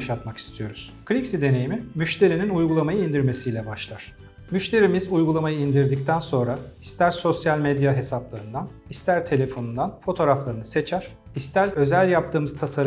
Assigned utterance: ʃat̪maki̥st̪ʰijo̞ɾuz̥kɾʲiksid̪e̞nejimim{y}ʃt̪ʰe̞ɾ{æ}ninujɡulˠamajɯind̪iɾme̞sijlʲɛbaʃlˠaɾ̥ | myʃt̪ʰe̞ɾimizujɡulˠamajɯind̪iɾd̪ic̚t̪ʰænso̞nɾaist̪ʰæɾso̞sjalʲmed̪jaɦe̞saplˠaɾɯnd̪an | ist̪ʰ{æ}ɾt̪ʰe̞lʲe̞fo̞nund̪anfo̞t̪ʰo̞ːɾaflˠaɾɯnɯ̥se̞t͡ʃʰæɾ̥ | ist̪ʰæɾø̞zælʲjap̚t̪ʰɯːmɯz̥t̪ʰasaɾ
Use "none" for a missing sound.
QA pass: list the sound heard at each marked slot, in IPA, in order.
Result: y, i, æ

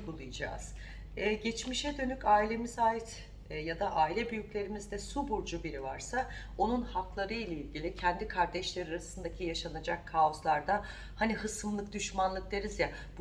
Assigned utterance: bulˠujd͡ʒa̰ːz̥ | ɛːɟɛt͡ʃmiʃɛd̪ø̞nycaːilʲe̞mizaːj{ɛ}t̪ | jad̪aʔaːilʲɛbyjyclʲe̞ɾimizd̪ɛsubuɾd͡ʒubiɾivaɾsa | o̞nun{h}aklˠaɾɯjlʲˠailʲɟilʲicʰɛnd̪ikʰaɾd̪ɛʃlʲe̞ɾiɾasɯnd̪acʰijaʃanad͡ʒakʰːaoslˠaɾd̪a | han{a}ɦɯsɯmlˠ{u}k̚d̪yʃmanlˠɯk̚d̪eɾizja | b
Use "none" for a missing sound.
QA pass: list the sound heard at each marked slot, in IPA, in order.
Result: i, h, i, ɯ

